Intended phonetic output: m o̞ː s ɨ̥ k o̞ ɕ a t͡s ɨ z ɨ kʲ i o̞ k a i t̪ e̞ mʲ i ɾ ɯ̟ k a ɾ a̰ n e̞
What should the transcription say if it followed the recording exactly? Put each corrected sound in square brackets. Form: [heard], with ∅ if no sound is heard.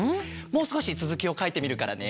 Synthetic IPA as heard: m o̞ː s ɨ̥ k o̞ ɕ [i] t͡s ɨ z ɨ kʲ i o̞ k a i t̪ e̞ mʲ i ɾ ɯ̟ k a ɾ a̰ n e̞